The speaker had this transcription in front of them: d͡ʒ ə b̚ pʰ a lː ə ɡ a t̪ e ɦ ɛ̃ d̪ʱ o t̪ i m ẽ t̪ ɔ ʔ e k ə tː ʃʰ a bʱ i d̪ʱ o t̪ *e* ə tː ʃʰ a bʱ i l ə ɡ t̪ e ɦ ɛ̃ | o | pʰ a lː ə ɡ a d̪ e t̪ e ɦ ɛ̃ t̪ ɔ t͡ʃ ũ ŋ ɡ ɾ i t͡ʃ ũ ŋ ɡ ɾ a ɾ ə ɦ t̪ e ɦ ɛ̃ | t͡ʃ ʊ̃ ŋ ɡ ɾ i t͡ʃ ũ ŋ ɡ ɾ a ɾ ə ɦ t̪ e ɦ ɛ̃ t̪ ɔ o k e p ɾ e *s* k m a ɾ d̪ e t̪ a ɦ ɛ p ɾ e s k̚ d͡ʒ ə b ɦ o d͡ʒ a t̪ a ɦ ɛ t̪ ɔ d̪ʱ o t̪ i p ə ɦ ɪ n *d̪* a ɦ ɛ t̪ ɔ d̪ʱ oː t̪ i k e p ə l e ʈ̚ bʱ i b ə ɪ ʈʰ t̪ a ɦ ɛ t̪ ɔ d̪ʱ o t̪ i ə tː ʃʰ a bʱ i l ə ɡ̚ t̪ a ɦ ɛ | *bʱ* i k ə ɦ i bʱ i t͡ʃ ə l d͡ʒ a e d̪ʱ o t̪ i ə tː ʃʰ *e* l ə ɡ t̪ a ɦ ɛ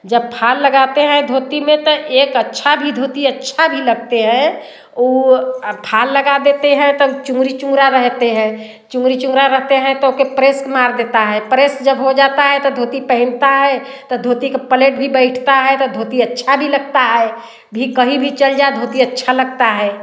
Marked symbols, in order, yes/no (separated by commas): no, yes, no, yes, no